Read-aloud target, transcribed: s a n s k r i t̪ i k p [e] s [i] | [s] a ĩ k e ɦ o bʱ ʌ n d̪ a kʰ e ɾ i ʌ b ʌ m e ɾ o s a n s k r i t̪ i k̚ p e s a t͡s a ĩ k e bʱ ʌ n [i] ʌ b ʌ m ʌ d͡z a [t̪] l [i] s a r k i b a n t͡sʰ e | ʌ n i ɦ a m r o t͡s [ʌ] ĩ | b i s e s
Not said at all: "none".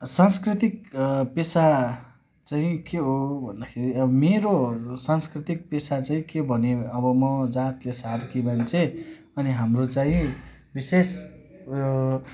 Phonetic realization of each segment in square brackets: e, a, t͡s, e, t̪, e, a

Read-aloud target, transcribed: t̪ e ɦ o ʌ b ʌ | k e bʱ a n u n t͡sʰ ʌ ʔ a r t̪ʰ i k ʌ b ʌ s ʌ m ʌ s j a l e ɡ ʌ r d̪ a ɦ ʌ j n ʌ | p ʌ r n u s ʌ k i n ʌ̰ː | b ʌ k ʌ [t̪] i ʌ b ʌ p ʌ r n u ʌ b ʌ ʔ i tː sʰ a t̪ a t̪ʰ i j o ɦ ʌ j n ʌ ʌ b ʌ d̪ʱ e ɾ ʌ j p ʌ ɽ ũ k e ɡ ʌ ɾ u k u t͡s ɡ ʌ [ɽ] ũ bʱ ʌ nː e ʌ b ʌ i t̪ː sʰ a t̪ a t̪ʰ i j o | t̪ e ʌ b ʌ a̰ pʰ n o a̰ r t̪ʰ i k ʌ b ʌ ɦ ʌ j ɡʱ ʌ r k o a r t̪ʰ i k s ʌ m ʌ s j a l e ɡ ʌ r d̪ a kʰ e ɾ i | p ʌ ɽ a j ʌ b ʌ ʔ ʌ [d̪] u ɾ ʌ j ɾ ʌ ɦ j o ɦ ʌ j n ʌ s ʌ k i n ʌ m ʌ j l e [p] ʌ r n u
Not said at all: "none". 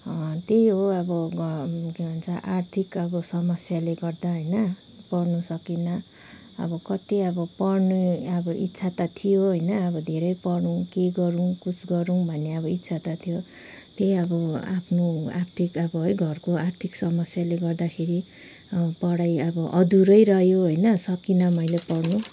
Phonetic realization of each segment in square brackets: t̪, ɾ, d̪, p

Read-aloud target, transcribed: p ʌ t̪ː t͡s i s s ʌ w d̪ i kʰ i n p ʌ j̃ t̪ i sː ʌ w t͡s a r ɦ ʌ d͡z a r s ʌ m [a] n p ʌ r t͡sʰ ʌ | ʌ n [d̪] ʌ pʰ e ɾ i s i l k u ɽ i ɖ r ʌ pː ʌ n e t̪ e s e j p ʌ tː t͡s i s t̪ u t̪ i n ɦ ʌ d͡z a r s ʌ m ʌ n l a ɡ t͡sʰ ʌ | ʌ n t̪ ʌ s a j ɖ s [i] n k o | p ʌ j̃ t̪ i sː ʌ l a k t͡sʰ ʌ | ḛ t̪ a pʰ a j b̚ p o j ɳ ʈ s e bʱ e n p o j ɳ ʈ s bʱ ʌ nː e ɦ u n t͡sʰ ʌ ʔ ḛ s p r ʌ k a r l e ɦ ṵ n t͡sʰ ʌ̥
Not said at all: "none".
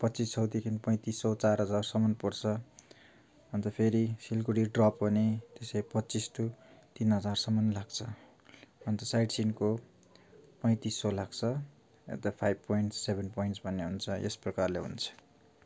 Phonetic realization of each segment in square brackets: ʌ, t̪, i

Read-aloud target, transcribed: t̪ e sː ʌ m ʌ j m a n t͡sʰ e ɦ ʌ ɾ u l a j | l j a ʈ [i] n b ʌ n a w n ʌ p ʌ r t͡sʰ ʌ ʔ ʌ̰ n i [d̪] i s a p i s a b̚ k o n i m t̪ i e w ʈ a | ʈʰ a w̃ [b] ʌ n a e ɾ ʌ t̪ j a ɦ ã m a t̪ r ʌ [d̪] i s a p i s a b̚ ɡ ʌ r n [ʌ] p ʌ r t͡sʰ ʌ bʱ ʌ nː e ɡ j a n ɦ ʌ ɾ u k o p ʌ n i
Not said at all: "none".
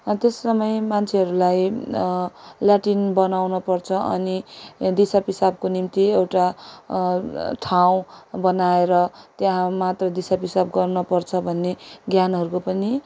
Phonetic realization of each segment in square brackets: i, d̪, b, d̪, ʌ

